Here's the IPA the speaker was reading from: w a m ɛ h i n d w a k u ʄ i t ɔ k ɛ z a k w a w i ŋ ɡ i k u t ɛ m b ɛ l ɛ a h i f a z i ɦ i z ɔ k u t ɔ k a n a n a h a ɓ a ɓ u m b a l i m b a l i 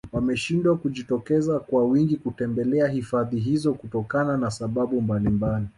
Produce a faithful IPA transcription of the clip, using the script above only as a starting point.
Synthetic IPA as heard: w a m ɛ ʃ i n d w a k u ʄ i t ɔ k ɛ z a k w a w i ŋ ɡ i k u t ɛ m b ɛ l ɛ a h i f a ð i ɦ i z ɔ k u t ɔ k a n a n a s a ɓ a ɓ u m b a l i m b a l i